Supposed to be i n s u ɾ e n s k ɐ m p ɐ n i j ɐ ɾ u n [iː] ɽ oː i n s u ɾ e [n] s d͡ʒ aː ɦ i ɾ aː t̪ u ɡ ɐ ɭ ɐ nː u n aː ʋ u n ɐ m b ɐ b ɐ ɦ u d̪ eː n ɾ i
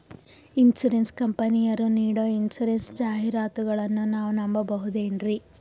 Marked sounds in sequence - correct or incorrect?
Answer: correct, correct

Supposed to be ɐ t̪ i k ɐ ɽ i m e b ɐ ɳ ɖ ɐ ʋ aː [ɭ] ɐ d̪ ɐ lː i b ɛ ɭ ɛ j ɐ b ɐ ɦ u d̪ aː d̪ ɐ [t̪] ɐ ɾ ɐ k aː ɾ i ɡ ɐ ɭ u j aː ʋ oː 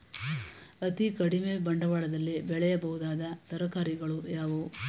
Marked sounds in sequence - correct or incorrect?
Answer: correct, correct

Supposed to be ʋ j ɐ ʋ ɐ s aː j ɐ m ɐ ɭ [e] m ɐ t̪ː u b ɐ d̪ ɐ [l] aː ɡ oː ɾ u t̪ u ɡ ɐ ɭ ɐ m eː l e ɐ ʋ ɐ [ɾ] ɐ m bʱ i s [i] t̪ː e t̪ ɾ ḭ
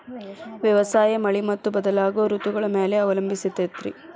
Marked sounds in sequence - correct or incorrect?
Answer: incorrect: i, correct, incorrect: l, correct

